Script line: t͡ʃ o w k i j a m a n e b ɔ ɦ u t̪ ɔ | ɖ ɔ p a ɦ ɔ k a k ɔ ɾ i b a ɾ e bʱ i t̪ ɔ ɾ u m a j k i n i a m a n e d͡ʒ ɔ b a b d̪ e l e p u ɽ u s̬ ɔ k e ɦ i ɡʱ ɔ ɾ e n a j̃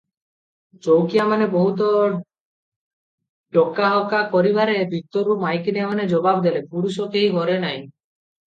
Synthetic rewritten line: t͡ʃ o w k i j a m a n e b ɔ ɦ u t̪ ɔ | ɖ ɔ k a ɦ ɔ k a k ɔ ɾ i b a ɾ e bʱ i t̪ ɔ ɾ u m a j k i n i a m a n e d͡ʒ ɔ b a b d̪ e l e p u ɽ u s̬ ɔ k e ɦ i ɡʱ ɔ ɾ e n a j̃